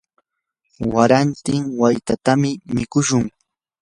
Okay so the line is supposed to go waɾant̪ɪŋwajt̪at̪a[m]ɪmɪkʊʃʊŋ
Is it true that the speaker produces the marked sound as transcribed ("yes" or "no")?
yes